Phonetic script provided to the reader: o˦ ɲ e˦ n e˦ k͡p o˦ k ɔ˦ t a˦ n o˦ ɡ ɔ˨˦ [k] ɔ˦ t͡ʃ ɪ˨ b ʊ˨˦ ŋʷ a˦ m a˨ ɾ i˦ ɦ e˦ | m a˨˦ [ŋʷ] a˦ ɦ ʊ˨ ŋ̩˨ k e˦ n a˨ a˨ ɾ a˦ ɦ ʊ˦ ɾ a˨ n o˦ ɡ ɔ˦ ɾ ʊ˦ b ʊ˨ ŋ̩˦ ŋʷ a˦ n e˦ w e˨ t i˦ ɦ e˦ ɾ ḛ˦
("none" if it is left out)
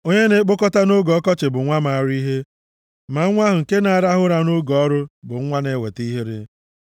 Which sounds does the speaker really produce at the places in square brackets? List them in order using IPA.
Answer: k, ŋʷ

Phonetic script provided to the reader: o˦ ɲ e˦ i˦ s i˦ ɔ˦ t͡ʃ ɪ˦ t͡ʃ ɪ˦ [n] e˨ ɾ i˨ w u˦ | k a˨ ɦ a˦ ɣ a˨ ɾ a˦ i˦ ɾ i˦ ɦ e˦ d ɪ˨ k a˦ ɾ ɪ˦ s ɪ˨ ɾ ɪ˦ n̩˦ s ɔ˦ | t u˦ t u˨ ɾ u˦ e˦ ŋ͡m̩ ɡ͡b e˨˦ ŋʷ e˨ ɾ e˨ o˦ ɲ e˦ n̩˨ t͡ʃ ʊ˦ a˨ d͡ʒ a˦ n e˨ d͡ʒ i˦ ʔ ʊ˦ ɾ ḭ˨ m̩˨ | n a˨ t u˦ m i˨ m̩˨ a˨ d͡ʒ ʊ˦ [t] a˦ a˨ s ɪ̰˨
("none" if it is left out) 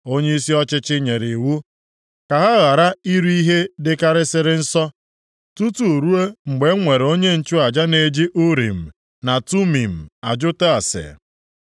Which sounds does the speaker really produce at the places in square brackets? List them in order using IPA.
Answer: ɲ, t

